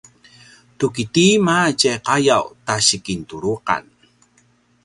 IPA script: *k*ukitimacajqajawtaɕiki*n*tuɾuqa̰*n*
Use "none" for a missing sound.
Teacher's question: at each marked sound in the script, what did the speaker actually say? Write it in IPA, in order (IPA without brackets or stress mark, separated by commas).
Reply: t, n, n